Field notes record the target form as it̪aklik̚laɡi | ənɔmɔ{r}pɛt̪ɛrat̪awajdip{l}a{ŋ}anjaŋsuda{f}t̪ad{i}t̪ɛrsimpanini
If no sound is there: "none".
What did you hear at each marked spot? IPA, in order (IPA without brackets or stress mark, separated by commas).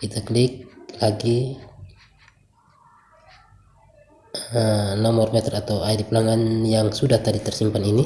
r, l, ŋ, h, i